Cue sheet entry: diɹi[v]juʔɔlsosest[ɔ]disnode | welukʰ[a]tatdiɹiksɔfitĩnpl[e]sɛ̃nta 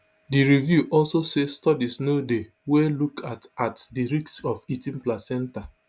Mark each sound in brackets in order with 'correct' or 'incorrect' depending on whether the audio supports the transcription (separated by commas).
correct, correct, correct, incorrect